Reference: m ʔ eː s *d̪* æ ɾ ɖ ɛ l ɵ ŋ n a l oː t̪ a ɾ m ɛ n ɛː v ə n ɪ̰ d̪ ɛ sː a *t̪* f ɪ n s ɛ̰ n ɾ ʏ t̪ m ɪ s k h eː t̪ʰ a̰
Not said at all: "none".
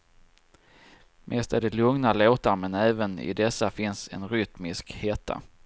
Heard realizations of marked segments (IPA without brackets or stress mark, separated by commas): t̪, none